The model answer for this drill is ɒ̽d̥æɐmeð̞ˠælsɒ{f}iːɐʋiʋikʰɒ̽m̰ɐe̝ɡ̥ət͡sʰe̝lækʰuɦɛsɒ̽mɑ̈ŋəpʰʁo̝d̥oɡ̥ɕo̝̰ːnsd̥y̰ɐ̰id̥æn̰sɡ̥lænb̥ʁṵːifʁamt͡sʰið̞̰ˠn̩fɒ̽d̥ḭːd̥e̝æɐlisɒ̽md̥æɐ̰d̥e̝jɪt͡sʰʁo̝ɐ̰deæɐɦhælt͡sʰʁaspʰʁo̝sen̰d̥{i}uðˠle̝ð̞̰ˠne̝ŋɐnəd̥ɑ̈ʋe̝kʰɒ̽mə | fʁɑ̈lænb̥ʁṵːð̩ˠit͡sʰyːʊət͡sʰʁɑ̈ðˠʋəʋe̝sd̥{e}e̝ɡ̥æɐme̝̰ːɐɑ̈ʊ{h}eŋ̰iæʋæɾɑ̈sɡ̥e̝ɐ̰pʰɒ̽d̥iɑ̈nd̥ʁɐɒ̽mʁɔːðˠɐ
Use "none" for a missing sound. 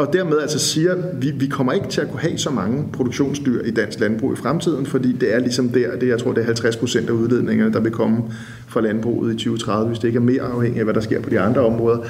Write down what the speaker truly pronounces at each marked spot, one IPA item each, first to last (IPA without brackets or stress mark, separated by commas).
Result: s, æ, e, h